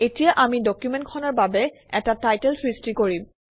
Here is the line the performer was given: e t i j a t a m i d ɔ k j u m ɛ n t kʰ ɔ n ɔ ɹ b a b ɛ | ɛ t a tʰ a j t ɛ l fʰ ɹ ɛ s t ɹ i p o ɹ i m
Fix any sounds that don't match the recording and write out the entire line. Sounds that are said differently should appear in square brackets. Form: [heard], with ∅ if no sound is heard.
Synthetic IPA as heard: e t i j a [ʔ] a m i d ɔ k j u m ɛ n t kʰ ɔ n ɔ ɹ b a b ɛ | ɛ t a [t] a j t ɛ l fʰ ɹ [i] s t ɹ i [k] o ɹ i m